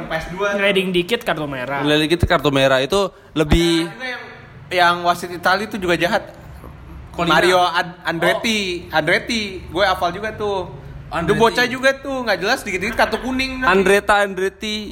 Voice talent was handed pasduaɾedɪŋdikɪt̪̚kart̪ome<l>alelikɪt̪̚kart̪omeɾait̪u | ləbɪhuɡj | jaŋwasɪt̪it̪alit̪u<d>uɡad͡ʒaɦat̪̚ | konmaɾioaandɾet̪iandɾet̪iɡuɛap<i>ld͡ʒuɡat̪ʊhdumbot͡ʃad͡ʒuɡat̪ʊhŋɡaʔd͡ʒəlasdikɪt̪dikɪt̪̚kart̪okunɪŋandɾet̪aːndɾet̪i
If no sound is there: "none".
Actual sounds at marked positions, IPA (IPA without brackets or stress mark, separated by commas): ɾ, d͡ʒ, a